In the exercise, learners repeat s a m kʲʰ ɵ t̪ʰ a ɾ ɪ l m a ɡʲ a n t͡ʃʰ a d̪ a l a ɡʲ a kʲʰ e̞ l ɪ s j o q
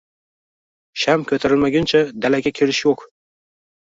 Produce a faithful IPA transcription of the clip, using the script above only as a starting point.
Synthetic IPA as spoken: ʃ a m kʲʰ ɵ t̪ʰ a ɾ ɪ l m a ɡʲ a n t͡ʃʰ a d̪ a l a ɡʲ a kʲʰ e̞ l ɪ ʃ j o q